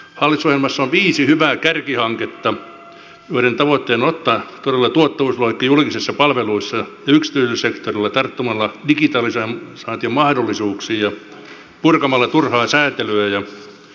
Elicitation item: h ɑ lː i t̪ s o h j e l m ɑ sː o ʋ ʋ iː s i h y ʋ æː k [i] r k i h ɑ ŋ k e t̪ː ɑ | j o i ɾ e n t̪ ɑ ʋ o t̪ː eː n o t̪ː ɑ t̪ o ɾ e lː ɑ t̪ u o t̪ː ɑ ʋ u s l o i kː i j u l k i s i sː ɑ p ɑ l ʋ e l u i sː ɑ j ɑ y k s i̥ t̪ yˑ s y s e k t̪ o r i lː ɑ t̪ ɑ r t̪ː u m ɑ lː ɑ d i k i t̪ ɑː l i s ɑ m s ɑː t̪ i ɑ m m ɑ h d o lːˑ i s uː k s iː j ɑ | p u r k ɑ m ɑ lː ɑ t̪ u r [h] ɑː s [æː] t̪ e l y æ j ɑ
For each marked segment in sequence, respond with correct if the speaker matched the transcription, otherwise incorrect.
incorrect: æ, correct, correct

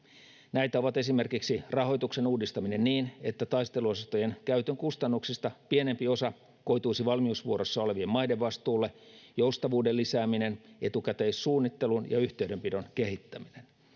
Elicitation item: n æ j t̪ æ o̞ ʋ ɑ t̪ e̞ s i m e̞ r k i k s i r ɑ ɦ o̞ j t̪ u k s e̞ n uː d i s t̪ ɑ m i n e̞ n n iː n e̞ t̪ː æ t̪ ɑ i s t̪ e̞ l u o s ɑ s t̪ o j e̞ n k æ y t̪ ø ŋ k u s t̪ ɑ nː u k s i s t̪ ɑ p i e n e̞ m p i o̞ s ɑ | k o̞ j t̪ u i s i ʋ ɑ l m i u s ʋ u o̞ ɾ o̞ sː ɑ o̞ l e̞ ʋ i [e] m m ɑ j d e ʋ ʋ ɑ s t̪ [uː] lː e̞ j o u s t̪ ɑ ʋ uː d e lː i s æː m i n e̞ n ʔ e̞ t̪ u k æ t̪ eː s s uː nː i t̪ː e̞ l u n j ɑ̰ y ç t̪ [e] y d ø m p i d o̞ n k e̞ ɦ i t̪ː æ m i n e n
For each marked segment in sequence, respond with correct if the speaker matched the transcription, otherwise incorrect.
correct, correct, correct

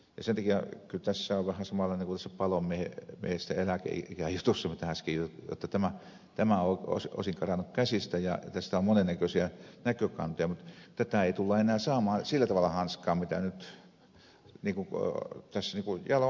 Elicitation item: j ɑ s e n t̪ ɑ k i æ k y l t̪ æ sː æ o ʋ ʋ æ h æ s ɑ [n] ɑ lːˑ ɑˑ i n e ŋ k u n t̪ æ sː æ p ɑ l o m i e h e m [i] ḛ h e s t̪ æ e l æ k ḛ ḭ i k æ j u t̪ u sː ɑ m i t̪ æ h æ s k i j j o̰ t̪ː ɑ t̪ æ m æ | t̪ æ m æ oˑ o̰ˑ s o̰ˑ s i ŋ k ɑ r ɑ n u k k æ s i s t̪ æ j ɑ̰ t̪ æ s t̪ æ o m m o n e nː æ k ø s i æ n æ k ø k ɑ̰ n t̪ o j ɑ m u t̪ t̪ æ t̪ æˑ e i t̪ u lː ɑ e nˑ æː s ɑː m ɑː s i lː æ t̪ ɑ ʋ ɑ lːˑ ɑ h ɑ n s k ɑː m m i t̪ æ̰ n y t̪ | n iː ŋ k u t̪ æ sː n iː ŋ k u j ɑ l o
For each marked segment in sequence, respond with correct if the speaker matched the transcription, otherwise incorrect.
incorrect: m, correct

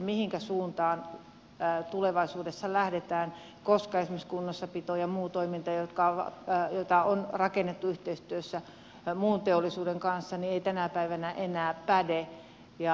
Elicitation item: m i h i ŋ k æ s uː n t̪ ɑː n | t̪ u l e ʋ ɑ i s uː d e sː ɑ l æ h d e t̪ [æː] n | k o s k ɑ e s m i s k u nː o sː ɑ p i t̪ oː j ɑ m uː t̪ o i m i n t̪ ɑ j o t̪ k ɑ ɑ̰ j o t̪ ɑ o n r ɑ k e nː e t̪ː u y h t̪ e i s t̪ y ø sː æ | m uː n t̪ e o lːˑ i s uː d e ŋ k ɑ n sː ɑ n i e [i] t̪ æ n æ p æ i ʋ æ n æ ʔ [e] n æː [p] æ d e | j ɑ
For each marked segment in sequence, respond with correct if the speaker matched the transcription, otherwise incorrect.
correct, correct, correct, correct

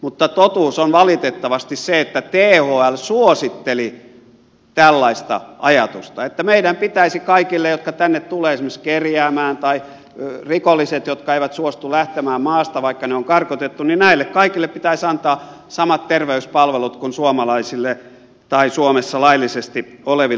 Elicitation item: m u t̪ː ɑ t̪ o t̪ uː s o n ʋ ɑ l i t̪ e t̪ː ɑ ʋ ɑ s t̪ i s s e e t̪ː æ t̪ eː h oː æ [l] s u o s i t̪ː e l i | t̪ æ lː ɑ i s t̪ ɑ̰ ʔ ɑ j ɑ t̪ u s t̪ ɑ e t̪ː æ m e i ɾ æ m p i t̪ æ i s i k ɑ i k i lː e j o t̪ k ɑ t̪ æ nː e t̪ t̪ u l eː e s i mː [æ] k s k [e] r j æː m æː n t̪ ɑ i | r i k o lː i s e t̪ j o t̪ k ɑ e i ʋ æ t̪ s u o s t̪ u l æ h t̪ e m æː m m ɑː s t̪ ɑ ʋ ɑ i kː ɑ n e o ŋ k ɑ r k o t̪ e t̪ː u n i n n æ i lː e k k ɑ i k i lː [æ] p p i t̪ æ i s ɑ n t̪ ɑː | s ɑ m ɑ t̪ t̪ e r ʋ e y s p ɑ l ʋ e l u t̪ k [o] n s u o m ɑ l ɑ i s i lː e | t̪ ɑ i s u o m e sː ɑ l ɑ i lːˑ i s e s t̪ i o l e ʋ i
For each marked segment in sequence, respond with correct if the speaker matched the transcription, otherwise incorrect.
correct, incorrect: e, correct, incorrect: e, incorrect: u

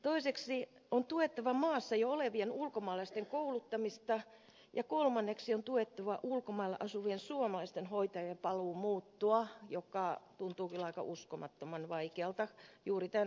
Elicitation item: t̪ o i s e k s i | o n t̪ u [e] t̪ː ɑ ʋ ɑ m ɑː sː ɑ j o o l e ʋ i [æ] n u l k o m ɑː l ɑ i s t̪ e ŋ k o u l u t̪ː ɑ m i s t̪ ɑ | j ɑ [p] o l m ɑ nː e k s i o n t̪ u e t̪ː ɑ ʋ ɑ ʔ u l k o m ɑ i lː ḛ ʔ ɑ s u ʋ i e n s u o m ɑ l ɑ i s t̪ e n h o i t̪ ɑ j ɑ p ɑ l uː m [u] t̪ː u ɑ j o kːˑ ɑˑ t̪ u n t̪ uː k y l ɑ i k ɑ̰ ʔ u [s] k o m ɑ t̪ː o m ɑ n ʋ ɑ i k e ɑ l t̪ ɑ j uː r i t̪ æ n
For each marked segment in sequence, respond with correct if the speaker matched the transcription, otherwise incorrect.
correct, incorrect: e, incorrect: k, incorrect: uː, correct

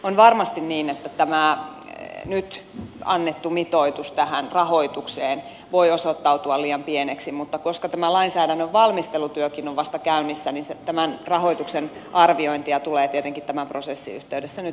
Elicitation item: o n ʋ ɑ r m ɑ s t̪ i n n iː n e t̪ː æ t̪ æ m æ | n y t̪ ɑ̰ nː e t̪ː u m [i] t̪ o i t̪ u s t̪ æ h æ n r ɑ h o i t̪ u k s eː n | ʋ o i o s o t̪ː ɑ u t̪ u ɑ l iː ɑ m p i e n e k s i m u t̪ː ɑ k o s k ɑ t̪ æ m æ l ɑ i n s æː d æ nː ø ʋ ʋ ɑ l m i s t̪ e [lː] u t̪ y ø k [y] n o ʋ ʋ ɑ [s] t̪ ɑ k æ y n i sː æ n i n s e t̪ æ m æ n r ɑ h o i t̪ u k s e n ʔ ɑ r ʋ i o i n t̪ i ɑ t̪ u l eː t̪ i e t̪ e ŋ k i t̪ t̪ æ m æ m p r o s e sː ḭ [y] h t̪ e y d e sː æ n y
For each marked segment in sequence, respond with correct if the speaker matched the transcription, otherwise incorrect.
correct, incorrect: l, incorrect: i, correct, correct

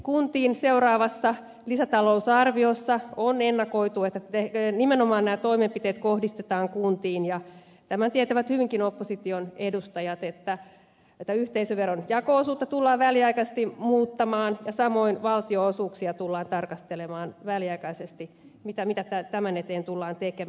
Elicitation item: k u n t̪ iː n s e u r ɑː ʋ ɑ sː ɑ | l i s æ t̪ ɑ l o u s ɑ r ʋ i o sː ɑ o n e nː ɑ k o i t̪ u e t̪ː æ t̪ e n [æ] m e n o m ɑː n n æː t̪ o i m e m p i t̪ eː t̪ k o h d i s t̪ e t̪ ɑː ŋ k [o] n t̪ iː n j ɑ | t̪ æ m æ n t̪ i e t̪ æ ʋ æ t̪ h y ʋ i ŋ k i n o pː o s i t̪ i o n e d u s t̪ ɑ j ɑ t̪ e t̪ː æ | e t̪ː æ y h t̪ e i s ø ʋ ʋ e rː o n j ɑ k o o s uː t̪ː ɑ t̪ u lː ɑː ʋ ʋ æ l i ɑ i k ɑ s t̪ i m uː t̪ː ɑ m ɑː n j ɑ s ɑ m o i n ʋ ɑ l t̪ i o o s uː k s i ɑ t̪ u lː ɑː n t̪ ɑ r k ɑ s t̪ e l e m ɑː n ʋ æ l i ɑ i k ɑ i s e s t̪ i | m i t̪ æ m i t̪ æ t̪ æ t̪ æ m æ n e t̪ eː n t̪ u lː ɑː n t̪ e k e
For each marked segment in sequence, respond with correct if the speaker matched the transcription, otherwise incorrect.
incorrect: i, incorrect: u

